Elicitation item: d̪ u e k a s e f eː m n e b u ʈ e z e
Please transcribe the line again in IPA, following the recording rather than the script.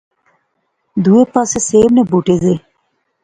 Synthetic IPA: d̪ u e p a s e s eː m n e b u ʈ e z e